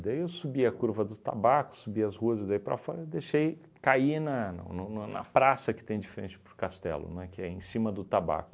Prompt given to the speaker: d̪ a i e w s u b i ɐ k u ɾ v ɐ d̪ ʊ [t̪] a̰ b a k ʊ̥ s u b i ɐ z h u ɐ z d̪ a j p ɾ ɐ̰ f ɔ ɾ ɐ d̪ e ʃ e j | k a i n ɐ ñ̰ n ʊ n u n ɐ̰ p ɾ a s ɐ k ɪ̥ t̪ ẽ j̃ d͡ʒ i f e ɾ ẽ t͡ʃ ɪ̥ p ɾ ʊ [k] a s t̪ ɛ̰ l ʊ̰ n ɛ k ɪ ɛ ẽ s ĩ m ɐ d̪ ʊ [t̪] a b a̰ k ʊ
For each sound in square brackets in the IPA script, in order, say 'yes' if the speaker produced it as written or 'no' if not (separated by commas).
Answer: yes, yes, yes